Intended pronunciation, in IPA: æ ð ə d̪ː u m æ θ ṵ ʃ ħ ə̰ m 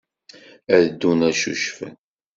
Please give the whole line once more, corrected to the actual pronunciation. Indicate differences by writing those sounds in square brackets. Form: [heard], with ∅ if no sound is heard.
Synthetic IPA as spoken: æ ð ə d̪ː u [n] æ [ʃ] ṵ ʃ [f] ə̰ [n]